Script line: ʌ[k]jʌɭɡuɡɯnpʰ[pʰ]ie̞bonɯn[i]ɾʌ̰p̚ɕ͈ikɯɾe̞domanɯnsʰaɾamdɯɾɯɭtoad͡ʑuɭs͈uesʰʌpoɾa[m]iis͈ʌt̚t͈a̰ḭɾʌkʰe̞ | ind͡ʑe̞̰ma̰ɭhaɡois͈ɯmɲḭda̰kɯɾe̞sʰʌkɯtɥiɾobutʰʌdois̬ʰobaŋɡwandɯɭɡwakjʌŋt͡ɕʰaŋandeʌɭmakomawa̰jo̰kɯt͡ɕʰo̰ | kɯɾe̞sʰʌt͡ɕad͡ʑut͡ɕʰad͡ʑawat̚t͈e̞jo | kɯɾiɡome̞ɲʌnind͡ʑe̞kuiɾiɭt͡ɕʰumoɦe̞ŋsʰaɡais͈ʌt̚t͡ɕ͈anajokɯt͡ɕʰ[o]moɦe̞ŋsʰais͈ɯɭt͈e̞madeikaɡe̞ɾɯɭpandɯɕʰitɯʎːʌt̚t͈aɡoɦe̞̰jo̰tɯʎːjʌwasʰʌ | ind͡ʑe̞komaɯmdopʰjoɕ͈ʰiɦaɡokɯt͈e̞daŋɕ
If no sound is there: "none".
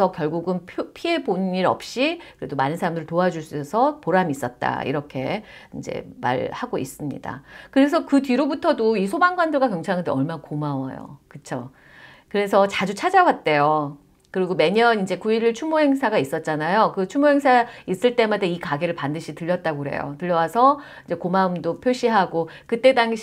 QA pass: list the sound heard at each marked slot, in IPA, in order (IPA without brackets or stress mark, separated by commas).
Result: k, pʰ, i, m, u